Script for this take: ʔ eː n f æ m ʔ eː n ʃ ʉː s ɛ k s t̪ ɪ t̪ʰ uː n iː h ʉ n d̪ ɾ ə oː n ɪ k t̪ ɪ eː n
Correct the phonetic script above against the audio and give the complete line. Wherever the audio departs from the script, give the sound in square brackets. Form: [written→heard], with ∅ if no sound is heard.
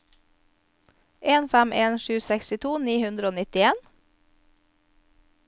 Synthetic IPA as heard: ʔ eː n f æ m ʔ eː n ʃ ʉː s ɛ k s t̪ ɪ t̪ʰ uː n iː h ʉ n d̪ ɾ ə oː n ɪ [k→∅] t̪ ɪ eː n